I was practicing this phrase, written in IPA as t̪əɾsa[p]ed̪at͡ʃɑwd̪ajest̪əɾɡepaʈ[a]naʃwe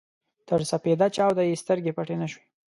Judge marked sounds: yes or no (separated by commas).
yes, no